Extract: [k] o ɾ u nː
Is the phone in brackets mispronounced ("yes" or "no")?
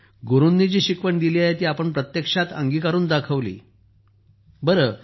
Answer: yes